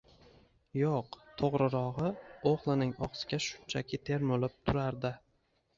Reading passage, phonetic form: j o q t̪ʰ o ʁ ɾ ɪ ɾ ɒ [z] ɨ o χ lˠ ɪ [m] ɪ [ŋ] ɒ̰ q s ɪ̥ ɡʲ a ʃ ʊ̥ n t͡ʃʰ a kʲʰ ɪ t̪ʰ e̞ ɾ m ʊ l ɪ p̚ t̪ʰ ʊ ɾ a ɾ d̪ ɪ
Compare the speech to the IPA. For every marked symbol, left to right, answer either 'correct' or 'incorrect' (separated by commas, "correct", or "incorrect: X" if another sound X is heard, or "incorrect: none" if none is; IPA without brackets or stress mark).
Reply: incorrect: ʁ, incorrect: n, correct